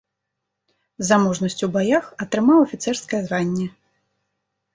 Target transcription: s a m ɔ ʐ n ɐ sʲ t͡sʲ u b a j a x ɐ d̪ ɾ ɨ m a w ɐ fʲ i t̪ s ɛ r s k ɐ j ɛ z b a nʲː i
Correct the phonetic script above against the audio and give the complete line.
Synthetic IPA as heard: z a m ɔ ʐ n ɐ sʲ t͡sʲ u b a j a x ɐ t̪ ɾ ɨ m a w ɐ fʲ i t̪ s ɛ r s k ɐ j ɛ z v a nʲː ɛ